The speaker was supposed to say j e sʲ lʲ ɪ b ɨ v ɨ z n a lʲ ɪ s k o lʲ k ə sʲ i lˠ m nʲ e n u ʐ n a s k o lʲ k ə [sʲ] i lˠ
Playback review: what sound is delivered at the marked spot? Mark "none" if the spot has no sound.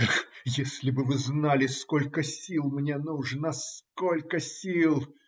sʲ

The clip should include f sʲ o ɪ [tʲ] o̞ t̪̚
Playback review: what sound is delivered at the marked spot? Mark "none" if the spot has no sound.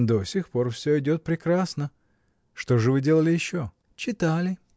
dʲ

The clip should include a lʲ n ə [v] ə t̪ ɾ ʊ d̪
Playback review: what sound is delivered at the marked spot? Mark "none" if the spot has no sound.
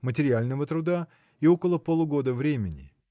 v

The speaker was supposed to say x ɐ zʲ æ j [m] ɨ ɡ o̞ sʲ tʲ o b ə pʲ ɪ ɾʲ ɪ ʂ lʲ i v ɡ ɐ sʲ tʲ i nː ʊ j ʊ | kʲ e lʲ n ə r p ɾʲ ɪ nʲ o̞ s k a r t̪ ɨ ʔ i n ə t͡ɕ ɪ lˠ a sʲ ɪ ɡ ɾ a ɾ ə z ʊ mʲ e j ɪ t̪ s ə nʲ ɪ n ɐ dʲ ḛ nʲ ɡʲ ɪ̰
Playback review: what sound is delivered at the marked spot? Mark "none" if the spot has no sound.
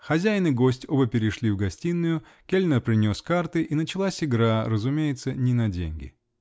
n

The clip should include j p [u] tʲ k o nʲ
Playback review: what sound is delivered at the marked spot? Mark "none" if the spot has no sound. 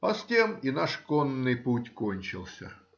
u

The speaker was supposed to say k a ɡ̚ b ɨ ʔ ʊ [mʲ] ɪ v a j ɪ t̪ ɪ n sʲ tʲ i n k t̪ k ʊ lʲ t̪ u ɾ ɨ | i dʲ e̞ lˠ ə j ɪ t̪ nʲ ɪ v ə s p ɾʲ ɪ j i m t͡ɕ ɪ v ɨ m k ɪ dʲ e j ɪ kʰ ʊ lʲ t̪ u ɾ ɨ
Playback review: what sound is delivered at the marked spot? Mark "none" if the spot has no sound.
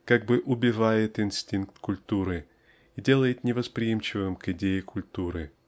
bʲ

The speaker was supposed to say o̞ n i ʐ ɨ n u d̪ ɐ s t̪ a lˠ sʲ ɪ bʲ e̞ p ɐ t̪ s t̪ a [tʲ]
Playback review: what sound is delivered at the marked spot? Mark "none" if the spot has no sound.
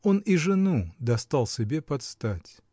tʲ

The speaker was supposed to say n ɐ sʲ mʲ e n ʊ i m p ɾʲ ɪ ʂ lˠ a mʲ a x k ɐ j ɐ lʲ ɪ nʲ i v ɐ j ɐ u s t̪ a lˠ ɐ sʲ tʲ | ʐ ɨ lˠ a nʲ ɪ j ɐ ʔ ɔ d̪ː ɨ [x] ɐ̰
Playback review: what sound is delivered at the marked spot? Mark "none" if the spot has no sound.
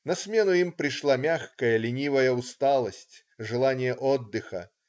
x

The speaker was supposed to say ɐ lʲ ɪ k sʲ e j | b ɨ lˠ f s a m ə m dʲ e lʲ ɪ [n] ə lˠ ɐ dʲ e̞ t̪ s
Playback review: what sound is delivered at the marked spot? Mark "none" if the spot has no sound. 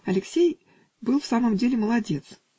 m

